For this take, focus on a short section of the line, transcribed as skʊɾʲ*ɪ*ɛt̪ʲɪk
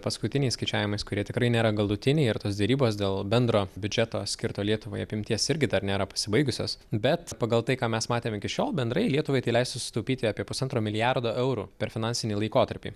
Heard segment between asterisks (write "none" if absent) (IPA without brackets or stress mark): i